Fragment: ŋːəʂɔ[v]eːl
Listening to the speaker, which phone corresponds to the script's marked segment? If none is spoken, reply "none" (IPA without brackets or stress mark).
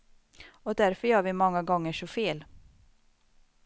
f